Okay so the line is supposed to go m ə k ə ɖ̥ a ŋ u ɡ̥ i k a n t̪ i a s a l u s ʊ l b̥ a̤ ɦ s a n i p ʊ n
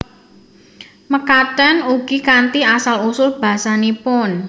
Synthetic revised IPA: m ə k a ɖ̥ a n u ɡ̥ i k a n t̪ i a s a l u s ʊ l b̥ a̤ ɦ s a n i p ʊ n